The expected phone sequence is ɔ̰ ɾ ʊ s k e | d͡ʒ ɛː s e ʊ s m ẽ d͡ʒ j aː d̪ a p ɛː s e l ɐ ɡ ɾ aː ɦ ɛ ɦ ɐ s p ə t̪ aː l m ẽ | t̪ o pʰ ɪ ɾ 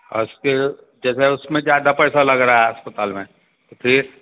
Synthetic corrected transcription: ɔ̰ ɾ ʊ s k e | d͡ʒ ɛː s e ʊ s m ẽ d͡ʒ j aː d̪ a p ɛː s a l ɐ ɡ ɾ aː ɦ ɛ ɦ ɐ s p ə t̪ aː l m ẽ | t̪ o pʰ ɪ ɾ